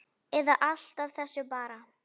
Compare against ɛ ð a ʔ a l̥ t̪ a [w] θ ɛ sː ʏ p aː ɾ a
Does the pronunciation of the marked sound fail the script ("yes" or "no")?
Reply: yes